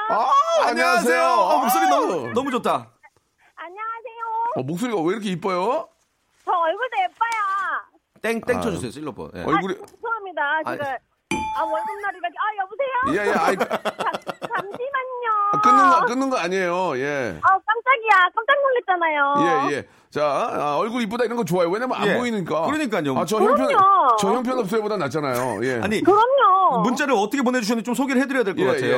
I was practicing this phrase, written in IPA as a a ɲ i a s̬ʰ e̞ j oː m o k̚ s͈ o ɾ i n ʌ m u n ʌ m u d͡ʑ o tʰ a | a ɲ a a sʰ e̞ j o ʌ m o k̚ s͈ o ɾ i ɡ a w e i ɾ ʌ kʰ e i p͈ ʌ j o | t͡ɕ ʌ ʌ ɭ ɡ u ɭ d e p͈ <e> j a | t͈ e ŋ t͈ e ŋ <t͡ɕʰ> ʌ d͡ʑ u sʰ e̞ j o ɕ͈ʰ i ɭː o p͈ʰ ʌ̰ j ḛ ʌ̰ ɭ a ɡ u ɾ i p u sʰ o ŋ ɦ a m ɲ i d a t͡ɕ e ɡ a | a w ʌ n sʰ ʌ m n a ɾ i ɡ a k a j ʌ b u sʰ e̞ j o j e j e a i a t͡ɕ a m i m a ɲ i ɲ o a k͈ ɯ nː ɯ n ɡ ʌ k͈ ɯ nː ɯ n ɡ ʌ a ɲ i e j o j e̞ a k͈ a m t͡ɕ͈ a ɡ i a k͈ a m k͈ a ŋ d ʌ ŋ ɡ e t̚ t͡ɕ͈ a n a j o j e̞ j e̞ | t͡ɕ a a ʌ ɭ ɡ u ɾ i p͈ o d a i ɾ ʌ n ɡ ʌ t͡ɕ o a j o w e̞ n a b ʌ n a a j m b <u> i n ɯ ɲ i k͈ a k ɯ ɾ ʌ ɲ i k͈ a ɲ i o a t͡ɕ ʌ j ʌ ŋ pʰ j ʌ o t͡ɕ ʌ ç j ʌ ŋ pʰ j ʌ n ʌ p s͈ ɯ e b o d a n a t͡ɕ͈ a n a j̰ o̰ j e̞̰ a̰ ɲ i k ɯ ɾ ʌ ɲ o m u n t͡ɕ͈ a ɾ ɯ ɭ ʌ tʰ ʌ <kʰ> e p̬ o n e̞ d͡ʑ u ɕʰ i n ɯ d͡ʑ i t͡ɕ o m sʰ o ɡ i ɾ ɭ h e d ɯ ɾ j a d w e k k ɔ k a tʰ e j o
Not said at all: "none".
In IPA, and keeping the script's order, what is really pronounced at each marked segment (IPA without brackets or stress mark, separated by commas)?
a, t͡ɕʰ, o, kʰ